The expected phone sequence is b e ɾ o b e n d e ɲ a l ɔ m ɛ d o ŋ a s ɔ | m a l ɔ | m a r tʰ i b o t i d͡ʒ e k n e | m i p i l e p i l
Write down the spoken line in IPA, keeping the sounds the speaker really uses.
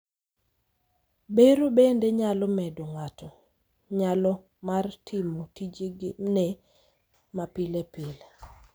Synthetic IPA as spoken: b e ɾ o b e n d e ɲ a l ɔ m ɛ d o ŋ a t ɔ | ɲ a l ɔ | m a r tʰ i m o t i d͡ʒ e ɡ n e | m a p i l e p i l

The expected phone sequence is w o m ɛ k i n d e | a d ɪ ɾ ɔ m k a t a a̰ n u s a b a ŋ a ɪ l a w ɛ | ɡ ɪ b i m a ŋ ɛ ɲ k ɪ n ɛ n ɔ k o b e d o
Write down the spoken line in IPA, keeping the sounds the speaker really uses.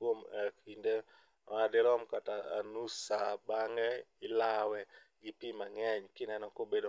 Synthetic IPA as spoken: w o m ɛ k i n d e | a d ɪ ɾ ɔ m k a t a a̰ n u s a b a ŋ ɛ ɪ l a w ɛ | ɡ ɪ p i m a ŋ ɛ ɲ k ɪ n ɛ n ɔ k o b e d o

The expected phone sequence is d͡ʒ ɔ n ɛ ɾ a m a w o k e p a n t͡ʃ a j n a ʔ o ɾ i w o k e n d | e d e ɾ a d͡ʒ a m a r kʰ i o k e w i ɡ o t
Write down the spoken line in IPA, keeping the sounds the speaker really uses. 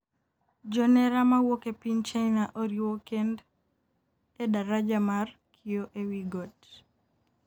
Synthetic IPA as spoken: d͡ʒ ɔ n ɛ ɾ a m a w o k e p i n t͡ʃ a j n a ʔ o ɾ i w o k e n d | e d a ɾ a d͡ʒ a m a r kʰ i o ʔ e w i ɡ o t

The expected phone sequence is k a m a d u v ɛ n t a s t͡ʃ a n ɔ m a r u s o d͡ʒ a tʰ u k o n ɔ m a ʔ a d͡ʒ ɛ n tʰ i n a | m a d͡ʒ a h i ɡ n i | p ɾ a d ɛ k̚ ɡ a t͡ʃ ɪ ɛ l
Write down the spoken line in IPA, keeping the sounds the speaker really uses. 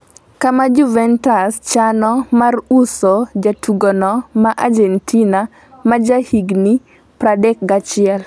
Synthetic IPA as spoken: k a m a d͡ʒ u v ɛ n t a s t͡ʃ a n ɔ m a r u s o d͡ʒ a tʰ u ɡ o n ɔ m a ʔ a d͡ʒ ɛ n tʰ i n a | m a d͡ʒ a h i ɡ n i | p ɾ a d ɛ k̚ ɡ a t͡ʃ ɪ ɛ l

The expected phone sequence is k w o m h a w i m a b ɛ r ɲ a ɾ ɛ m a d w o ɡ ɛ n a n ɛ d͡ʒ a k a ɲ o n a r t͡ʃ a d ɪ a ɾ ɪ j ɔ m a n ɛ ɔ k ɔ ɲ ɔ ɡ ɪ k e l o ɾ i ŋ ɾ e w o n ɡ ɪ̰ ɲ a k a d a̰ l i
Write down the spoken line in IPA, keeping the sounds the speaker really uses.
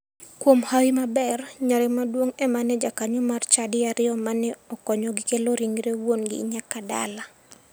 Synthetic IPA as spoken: k w o m h a w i m a b ɛ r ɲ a ɾ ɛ m a d w o ŋ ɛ m a n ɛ d͡ʒ a k a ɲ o m a r t͡ʃ a d ɪ a ɾ ɪ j ɔ m a n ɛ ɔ k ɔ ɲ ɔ ɡ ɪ k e l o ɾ i ŋ ɾ e w o n ɡ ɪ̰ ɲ a k a d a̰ l a

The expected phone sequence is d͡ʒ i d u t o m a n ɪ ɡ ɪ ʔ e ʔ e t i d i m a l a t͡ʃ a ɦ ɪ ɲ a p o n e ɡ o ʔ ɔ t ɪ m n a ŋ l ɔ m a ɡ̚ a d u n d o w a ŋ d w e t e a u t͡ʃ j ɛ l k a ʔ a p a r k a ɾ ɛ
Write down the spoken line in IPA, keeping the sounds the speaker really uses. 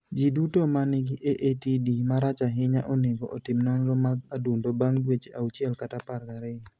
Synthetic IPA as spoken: d͡ʒ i d u t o m a n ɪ ɡ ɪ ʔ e ʔ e t i d i m a ɾ a t͡ʃ a ɦ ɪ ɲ a ʔ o n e ɡ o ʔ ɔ t ɪ m n a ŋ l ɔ m a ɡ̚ a d u n d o b a ŋ d w e t͡ʃ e a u t͡ʃ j ɛ l k a t a p a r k a ɾ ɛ

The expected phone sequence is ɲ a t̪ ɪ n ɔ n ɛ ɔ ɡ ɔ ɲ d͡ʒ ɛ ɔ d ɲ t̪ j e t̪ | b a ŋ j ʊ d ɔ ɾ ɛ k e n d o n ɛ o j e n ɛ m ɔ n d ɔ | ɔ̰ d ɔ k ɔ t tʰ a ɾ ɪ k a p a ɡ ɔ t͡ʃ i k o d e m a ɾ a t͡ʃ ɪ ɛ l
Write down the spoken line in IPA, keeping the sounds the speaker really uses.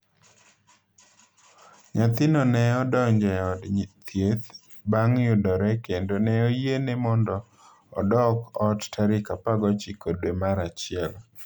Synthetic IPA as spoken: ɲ a t̪ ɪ n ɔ n ɛ ɔ d ɔ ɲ d͡ʒ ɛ ɔ d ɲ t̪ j e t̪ | b a ŋ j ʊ d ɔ ɾ ɛ k e n d o n ɛ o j e n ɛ m ɔ n d ɔ | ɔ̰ d ɔ k ɔ t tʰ a ɾ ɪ k a p a ɡ ɔ t͡ʃ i k o d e m a ɾ a t͡ʃ ɪ ɛ l

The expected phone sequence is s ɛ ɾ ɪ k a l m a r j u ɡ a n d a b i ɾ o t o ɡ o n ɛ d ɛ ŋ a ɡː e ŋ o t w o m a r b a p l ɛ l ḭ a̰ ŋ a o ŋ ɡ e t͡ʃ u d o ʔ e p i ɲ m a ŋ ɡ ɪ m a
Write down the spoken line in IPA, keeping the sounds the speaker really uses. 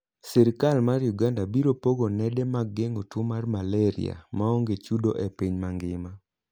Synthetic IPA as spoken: s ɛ ɾ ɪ k a l m a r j u ɡ a n d a b i ɾ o p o ɡ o n ɛ d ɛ m a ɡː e ŋ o t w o m a r m a l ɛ ɾ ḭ a̰ m a o ŋ ɡ e t͡ʃ u d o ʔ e p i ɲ m a ŋ ɡ ɪ m a

